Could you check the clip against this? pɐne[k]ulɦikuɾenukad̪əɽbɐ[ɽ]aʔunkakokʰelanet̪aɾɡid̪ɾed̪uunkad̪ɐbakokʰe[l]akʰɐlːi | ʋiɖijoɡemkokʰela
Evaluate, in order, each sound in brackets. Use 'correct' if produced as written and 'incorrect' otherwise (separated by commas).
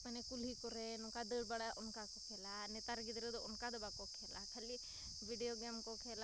correct, correct, correct